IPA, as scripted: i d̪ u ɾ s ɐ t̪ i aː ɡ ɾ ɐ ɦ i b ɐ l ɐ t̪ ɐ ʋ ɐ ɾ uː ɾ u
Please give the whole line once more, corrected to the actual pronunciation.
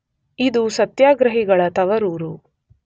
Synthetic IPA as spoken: i d̪ u s ɐ t̪ j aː ɡ ɾ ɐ ɦ i ɡ ɐ ɭ ɐ t̪ ɐ ʋ ɐ ɾ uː ɾ u